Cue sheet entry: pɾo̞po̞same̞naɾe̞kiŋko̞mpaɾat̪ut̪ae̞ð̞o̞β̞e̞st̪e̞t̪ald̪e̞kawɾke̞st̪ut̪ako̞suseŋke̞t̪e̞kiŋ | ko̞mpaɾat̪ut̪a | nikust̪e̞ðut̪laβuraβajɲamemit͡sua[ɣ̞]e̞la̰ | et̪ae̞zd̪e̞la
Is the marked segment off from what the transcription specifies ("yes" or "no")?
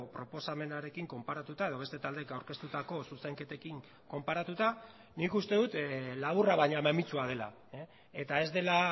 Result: yes